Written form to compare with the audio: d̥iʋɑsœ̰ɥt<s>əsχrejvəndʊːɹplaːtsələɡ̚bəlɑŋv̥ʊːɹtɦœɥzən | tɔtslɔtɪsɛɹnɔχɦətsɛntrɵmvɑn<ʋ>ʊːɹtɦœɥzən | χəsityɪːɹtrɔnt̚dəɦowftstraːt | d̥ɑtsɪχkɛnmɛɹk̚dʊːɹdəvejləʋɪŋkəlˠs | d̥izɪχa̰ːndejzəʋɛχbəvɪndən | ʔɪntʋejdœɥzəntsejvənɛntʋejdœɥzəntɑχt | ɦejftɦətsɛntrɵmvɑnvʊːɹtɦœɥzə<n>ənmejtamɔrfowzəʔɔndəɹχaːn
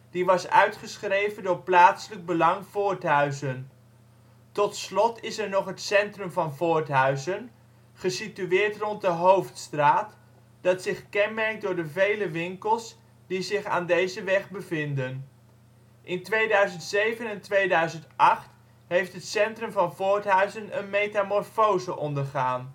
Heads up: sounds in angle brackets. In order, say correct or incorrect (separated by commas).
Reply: incorrect, incorrect, correct